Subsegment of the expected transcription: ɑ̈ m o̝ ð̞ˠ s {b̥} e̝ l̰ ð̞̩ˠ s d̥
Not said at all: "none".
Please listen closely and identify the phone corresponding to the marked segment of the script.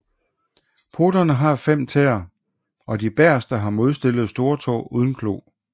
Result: d̥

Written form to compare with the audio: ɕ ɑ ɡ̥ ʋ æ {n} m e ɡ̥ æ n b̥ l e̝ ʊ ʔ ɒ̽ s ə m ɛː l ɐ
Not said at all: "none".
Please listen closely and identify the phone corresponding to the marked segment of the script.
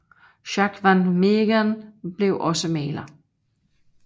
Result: n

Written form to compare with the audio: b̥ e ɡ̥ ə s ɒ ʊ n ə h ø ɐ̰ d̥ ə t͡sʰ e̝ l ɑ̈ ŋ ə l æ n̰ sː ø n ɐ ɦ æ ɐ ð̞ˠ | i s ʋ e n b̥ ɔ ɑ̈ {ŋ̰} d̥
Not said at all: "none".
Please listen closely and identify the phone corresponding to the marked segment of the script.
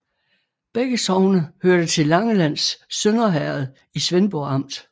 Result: m̰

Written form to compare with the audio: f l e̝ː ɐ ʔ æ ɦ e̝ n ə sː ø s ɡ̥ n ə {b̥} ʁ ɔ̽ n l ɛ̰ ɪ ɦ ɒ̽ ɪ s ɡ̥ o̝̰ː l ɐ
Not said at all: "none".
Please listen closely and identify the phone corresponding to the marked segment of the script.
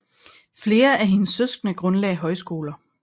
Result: ɡ̥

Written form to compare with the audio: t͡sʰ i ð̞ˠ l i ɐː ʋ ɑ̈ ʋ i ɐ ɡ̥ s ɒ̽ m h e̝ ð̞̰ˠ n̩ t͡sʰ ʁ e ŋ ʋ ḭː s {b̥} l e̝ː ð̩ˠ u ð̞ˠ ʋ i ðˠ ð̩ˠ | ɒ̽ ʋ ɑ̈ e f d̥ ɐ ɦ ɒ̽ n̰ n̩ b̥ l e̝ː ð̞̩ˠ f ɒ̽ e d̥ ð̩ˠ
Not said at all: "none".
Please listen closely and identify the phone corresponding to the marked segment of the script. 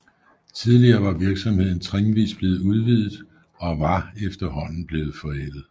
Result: b̥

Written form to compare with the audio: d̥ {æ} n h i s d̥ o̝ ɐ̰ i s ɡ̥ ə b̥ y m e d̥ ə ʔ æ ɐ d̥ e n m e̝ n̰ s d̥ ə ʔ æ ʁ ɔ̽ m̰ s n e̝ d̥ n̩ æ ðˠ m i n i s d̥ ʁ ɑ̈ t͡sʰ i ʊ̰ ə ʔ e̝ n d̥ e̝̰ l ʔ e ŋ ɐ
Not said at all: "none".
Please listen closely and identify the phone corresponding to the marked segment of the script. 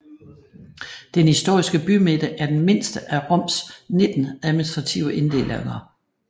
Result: e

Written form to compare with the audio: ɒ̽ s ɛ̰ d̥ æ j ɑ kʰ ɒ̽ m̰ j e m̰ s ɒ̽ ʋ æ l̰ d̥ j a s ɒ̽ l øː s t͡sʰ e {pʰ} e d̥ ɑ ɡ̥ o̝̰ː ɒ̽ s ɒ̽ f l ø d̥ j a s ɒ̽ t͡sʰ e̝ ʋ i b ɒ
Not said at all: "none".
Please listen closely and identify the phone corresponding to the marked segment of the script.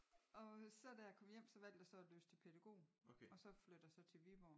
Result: pʰ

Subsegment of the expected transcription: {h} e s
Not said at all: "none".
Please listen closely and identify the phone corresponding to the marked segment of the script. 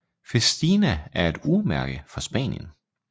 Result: f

